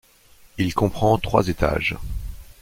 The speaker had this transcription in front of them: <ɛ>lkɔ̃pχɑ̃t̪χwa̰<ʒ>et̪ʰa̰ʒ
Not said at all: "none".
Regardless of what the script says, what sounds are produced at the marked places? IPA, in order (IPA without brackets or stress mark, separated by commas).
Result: i, z